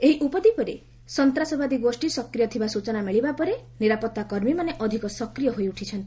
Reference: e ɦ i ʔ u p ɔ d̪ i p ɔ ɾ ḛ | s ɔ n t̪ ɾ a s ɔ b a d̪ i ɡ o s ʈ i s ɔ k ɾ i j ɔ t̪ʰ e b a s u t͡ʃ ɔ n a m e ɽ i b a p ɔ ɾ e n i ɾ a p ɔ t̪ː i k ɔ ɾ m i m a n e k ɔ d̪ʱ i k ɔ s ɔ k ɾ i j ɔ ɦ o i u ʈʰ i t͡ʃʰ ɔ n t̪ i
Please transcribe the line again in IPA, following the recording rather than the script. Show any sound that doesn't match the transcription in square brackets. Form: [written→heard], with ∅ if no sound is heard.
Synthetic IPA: e ɦ i ʔ u p ɔ d̪ i p ɔ ɾ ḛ | s ɔ n t̪ ɾ a s ɔ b a d̪ i ɡ o s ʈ i s ɔ k ɾ i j ɔ t̪ʰ [e→i] b a s u t͡ʃ ɔ n a m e [ɽ→ɭ] i b a p ɔ ɾ e n i ɾ a p ɔ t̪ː [i→a] k ɔ ɾ m i m a n e [k→ʔ] ɔ d̪ʱ i k ɔ s ɔ k ɾ i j ɔ ɦ o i u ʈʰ i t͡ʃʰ ɔ n t̪ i